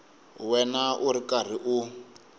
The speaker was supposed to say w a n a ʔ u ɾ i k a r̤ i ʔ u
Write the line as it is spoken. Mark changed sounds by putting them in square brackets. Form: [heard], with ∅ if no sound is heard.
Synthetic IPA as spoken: w [ɛ] n a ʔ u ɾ i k a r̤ i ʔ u